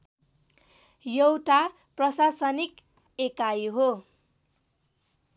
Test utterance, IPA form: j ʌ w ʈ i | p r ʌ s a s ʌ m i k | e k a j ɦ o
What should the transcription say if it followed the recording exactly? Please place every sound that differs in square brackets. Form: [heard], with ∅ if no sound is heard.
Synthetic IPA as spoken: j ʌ w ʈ [a] | p r ʌ s a s ʌ [n] i k | e k a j ɦ o

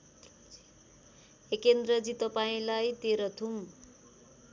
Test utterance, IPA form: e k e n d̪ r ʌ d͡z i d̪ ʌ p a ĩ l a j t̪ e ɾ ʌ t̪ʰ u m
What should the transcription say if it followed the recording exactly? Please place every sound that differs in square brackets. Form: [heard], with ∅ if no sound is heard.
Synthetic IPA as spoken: e k e n d̪ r ʌ d͡z i [t̪] ʌ p a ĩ l a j t̪ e ɾ ʌ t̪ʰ u m

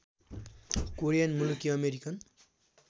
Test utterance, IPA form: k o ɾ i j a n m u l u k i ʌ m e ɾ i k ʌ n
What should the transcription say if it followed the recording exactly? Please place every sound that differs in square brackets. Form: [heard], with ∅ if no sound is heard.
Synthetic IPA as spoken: k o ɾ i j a n m u l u k i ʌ m e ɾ i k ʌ n

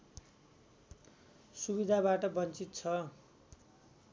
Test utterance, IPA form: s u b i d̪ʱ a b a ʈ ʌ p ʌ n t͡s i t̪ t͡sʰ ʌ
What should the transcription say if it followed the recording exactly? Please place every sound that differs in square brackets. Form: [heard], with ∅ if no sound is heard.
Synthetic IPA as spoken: s u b i d̪ʱ a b a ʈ ʌ [b] ʌ n t͡s i t̪ t͡sʰ ʌ

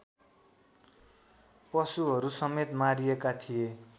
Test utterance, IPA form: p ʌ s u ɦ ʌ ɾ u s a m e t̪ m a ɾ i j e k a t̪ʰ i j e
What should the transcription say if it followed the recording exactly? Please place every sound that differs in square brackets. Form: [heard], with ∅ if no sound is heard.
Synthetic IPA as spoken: p ʌ s u ɦ ʌ ɾ u s [ʌ] m e t̪ m a ɾ i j e k a t̪ʰ i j e

